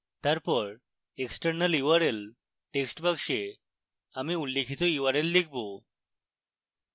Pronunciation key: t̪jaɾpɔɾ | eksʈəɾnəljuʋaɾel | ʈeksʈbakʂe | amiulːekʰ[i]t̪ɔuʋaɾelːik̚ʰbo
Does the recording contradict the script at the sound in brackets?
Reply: no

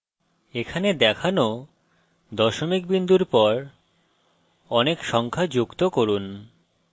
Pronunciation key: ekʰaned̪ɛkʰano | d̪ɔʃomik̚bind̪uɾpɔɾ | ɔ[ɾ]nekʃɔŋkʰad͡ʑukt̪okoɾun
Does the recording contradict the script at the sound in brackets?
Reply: yes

